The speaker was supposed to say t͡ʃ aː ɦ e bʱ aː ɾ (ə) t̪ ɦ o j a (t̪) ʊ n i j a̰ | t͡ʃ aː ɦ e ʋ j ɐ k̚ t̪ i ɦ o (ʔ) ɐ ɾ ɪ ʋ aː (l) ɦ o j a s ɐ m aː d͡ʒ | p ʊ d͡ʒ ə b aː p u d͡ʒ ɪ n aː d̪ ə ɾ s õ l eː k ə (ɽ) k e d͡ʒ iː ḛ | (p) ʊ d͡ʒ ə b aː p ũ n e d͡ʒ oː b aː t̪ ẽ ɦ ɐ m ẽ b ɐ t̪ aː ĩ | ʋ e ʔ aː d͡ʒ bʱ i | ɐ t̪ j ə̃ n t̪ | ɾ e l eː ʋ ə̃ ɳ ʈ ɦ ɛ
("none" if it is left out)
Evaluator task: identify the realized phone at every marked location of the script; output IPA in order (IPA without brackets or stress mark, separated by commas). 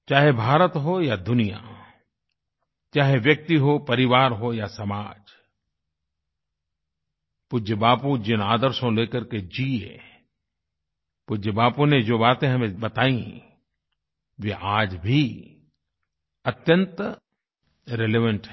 ə, d̪, p, ɾ, ɾ, p